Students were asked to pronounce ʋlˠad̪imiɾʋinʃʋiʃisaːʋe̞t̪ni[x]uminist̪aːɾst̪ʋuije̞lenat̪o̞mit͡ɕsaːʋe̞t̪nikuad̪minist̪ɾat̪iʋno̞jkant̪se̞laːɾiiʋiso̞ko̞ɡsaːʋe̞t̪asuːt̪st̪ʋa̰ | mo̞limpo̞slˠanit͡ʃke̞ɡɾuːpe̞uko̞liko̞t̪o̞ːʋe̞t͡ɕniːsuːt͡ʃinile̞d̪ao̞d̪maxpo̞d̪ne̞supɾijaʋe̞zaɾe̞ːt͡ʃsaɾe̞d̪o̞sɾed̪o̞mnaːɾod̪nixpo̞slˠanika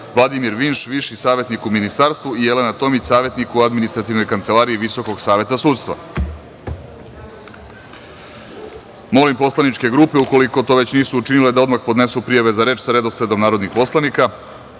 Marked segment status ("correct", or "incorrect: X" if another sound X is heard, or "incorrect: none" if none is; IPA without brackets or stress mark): incorrect: k